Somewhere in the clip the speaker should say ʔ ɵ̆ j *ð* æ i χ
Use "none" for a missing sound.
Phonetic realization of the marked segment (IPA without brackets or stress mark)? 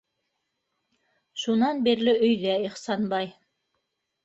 ð